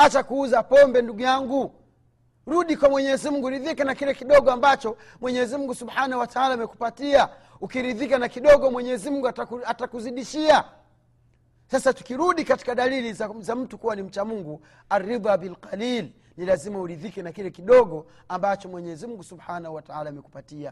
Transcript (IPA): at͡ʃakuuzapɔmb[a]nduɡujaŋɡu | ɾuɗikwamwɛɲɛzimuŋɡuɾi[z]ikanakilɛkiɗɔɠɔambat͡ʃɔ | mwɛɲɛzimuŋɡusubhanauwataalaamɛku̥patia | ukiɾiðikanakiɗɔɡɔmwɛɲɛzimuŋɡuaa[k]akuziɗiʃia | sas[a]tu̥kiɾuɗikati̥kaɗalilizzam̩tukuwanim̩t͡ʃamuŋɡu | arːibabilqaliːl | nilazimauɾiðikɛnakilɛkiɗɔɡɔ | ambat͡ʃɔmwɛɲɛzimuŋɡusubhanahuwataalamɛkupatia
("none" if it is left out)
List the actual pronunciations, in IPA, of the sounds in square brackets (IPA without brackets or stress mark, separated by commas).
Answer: ɛ, ð, t, a